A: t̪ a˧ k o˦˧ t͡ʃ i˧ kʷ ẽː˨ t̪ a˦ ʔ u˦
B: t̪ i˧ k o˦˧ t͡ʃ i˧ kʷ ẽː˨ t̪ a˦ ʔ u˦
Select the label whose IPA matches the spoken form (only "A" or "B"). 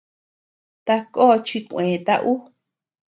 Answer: A